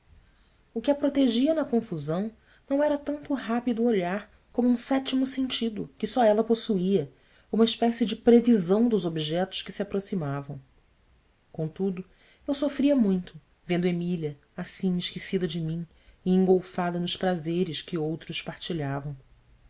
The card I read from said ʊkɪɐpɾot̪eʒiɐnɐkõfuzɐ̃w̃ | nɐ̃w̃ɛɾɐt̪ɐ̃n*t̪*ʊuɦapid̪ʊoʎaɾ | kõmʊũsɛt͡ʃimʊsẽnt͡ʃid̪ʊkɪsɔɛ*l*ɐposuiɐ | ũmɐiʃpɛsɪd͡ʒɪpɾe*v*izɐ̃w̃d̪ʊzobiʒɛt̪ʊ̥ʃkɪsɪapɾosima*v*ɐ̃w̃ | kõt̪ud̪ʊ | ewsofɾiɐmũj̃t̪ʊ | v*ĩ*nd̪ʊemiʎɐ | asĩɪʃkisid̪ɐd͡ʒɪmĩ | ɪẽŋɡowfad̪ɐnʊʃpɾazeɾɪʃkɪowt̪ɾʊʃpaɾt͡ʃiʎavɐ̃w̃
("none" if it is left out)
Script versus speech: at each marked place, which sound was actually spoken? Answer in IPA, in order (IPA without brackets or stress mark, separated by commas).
t̪, l, v, v, ẽ